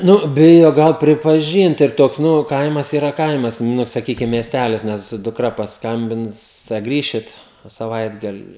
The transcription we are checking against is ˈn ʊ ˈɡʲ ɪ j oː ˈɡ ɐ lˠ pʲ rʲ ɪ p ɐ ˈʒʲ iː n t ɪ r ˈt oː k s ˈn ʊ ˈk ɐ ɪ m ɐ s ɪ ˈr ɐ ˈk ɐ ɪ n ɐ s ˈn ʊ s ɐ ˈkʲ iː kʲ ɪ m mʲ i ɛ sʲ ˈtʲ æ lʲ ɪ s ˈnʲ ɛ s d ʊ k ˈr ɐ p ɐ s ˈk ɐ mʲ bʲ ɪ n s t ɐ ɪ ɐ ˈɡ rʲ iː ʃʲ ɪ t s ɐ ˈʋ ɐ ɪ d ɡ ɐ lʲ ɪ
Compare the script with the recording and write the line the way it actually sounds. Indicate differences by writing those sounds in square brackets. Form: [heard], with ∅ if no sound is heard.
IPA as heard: ˈn ʊ [ˈbʲ] ɪ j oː ˈɡ ɐ lˠ pʲ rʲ ɪ p ɐ ˈʒʲ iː n t ɪ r ˈt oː k s ˈn ʊ ˈk ɐ ɪ m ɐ s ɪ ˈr ɐ ˈk ɐ ɪ [m] ɐ s ˈn ʊ s ɐ ˈkʲ iː kʲ ɪ m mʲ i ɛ sʲ ˈtʲ æ lʲ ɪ s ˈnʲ ɛ s d ʊ k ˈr ɐ p ɐ s ˈk ɐ mʲ bʲ ɪ n s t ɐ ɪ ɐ ˈɡ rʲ iː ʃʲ ɪ t s ɐ ˈʋ ɐ ɪ d ɡ ɐ lʲ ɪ